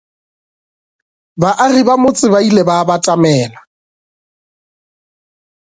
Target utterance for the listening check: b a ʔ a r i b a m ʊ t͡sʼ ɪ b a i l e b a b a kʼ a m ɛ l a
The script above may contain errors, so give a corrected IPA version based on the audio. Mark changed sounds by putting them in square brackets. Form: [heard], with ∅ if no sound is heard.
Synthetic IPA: b a ʔ a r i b a m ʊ t͡sʼ ɪ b a i l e b a b a [tʼ] a m [ɛː] l a